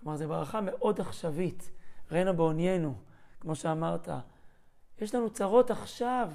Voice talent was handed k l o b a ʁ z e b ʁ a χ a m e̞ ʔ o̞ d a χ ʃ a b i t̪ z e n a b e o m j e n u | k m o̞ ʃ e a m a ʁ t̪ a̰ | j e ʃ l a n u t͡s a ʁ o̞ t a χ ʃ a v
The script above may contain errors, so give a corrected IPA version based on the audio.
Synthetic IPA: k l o m a ʁ z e b ʁ a χ a m e̞ ʔ o̞ d a χ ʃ a v i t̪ ʁ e n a b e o n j e n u | k m o̞ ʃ e a m a ʁ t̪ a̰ | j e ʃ l a n u t͡s a ʁ o̞ t a χ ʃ a v